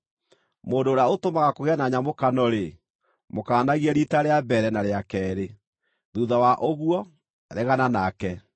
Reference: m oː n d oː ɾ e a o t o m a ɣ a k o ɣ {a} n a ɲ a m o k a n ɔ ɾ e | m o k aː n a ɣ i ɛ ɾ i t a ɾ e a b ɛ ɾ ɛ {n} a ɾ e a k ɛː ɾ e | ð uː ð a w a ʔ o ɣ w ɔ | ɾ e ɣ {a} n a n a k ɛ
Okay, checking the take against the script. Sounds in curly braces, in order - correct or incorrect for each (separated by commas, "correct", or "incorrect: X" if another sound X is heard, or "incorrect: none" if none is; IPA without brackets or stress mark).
incorrect: ɛ, correct, correct